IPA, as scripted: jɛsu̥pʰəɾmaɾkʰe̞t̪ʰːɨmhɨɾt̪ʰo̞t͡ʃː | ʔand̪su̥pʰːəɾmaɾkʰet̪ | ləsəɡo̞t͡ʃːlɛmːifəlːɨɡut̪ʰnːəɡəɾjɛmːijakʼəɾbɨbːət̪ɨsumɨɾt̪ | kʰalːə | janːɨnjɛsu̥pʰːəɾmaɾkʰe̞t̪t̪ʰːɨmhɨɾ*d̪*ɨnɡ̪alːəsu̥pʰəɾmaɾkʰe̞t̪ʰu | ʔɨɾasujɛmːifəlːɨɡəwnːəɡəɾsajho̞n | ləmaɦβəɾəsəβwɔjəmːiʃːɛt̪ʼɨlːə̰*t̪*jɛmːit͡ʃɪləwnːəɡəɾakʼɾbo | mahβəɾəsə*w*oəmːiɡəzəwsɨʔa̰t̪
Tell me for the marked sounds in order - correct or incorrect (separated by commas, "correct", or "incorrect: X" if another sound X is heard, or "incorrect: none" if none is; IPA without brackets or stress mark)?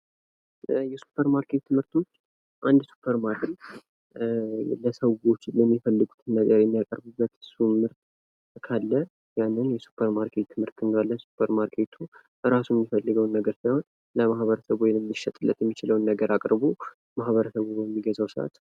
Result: incorrect: t̪, correct, incorrect: β